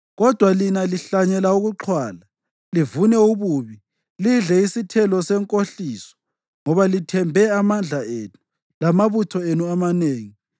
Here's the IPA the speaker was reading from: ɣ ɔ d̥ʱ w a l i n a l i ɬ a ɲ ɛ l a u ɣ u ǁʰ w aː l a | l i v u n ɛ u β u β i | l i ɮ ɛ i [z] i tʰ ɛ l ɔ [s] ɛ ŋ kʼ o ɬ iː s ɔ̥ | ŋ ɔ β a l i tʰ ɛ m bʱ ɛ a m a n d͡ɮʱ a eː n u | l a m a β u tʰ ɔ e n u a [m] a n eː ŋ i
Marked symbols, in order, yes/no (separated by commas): no, yes, yes